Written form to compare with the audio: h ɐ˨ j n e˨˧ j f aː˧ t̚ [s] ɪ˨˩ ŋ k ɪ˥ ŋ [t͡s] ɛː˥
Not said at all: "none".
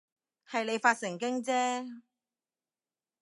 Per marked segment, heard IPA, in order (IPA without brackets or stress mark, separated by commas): s, t͡s